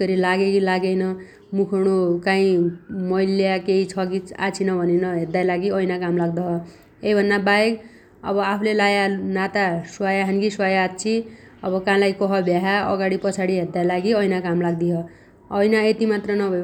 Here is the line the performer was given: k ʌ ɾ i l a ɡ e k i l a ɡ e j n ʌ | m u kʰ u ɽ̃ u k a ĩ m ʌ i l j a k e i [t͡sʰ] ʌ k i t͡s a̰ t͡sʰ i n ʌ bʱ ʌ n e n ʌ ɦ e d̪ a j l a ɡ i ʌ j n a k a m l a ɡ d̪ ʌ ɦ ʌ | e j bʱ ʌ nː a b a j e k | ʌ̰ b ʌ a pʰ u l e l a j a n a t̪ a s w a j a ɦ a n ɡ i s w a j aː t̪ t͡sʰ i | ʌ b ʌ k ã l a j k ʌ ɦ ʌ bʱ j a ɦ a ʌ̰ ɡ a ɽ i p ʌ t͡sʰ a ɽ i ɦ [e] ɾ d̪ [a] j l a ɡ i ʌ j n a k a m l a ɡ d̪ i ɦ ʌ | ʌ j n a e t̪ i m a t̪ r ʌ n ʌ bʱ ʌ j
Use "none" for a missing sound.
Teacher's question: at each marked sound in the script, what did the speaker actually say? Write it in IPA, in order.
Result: t͡sʰ, e, a

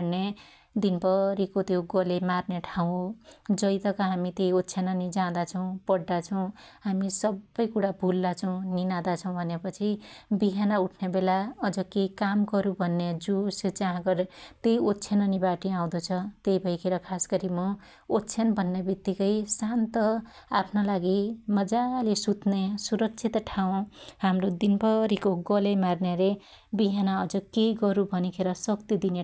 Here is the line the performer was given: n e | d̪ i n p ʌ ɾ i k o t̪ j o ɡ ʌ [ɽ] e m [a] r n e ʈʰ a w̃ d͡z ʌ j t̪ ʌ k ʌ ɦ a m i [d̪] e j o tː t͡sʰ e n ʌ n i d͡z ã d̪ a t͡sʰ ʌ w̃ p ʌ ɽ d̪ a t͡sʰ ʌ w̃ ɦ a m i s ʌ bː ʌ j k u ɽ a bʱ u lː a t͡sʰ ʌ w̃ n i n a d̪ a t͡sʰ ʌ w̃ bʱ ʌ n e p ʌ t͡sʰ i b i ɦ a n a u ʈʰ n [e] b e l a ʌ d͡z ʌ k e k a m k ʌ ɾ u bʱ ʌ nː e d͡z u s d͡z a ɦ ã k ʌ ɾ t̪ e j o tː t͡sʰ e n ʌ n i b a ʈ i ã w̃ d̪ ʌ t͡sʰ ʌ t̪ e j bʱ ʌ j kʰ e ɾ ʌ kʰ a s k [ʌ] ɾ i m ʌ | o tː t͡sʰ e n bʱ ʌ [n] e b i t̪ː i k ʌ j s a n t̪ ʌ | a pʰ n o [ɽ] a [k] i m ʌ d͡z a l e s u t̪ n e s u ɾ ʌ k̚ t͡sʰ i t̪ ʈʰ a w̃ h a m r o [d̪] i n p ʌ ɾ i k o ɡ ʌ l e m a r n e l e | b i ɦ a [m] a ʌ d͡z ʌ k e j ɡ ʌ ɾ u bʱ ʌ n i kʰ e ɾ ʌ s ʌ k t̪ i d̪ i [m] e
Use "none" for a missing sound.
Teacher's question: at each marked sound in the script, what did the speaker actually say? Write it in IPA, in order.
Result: l, a, t̪, e, ʌ, nː, l, ɡ, d̪, n, n

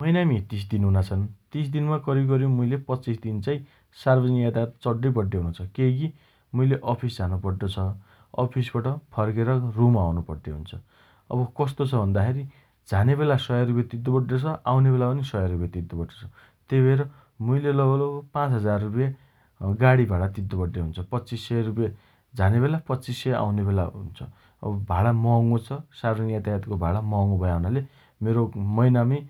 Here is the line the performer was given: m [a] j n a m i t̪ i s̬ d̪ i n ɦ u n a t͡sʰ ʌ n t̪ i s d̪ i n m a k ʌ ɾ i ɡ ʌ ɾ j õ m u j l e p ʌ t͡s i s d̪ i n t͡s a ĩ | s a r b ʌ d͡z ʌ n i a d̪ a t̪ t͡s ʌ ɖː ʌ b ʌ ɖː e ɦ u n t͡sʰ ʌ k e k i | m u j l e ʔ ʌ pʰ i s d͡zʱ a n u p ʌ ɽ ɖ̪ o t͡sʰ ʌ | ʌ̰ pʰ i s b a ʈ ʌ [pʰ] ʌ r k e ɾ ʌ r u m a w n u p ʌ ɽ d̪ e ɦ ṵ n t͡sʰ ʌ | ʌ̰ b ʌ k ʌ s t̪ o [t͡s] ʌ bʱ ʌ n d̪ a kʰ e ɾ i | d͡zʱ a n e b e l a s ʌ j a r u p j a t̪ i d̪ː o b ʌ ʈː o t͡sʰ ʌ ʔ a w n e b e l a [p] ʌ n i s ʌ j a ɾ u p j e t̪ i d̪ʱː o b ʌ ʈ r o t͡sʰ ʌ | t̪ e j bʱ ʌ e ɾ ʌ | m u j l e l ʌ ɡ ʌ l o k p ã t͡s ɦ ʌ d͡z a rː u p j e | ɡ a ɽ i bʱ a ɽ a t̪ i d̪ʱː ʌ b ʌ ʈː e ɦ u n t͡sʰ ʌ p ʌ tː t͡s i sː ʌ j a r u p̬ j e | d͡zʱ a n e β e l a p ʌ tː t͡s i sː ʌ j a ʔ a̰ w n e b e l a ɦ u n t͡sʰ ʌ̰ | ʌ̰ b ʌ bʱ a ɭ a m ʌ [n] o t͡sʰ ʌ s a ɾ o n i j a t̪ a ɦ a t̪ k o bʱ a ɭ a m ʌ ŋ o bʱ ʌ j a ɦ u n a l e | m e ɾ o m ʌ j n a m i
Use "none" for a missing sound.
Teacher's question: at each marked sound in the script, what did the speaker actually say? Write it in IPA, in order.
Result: ʌ, pʰ, t͡sʰ, p, ŋ

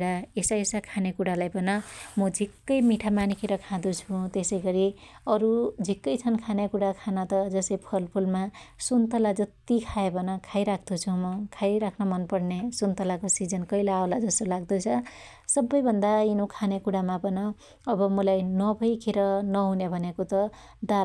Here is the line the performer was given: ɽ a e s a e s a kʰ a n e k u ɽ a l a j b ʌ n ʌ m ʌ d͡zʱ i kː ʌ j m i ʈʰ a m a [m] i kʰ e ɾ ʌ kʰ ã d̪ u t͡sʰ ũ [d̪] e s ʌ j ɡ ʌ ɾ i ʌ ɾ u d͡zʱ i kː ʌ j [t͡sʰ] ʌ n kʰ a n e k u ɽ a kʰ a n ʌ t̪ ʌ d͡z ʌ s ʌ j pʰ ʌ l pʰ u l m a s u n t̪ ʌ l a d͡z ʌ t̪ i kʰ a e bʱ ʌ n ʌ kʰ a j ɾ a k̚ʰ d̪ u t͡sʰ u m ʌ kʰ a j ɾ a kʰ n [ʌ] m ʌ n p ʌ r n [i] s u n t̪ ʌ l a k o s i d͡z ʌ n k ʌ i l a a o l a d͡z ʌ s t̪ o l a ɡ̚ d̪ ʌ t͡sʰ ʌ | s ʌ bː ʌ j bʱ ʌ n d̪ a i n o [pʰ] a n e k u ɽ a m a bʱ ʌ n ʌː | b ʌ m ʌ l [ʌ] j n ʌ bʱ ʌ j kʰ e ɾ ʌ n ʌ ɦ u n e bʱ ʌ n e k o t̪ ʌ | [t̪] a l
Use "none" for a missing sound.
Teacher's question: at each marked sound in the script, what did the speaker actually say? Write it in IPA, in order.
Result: n, t̪, t͡sʰ, ʌ, e, kʰ, a, d̪

